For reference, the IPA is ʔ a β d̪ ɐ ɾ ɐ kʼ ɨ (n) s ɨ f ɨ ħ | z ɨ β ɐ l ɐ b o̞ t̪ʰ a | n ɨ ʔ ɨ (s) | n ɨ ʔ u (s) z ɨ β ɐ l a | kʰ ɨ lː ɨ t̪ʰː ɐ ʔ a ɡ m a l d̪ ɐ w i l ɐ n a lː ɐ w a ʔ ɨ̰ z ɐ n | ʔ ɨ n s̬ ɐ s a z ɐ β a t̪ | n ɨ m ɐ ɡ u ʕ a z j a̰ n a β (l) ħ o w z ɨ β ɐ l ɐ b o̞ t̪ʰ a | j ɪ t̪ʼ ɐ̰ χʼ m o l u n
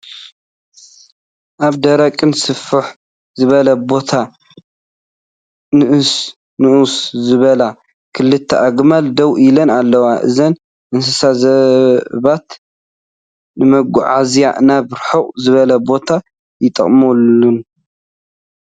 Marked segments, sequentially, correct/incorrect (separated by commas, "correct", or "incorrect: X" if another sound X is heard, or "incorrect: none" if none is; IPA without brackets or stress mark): correct, correct, correct, incorrect: ɾ